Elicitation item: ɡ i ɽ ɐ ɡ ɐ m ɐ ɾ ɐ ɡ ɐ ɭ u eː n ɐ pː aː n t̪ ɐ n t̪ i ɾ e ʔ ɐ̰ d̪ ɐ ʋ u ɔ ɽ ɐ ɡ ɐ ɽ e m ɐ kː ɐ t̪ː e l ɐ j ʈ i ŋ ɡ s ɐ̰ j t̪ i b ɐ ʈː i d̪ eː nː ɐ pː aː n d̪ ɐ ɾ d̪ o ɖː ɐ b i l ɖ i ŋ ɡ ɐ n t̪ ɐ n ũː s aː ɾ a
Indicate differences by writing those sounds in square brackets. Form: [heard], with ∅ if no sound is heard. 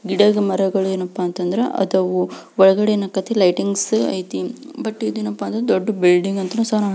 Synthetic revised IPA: ɡ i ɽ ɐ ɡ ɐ m ɐ ɾ ɐ ɡ ɐ ɭ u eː n ɐ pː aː n t̪ ɐ n [d̪] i ɾ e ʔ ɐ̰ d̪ ɐ ʋ u ɔ [ɭ] ɐ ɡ ɐ ɽ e [n] ɐ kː ɐ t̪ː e l ɐ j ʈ i ŋ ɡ s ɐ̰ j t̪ i b ɐ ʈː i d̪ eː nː ɐ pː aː n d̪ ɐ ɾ d̪ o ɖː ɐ b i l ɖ i ŋ ɡ ɐ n t̪ ɐ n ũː s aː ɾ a